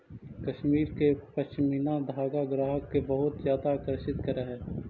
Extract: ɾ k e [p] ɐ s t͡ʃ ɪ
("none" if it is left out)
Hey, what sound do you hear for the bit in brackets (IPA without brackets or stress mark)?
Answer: p